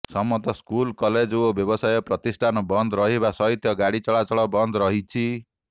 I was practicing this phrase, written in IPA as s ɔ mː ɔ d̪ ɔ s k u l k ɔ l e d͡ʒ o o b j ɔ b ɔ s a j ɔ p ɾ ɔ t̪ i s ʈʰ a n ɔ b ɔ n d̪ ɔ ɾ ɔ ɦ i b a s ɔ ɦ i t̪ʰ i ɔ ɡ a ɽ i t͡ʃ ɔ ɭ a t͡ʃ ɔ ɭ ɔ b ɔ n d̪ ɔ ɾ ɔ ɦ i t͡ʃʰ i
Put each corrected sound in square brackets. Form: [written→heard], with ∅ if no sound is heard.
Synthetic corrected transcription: s ɔ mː ɔ [d̪→t̪] ɔ s k u l k ɔ l e d͡ʒ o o b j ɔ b ɔ s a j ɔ p ɾ ɔ t̪ i s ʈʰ a n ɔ b ɔ n d̪ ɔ ɾ ɔ ɦ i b a s ɔ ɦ i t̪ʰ [i→j] ɔ ɡ a ɽ i t͡ʃ ɔ ɭ a t͡ʃ ɔ ɭ ɔ b ɔ n d̪ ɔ ɾ ɔ ɦ i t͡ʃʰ i